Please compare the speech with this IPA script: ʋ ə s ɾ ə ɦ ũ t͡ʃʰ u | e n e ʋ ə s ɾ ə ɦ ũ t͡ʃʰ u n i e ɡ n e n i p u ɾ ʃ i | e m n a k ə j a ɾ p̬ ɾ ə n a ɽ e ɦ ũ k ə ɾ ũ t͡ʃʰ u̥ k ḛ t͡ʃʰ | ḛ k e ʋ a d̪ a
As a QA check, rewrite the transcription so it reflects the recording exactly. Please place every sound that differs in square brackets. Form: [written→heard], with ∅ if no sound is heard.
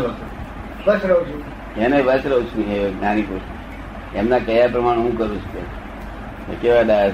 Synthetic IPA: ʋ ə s ɾ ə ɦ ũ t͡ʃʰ u | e n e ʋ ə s ɾ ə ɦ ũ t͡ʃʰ u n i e ɡ n [e→a] n i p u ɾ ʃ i | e m n a k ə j a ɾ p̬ ɾ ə [n→m] a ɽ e ɦ ũ k ə ɾ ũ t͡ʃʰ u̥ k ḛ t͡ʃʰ | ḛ k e ʋ a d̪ a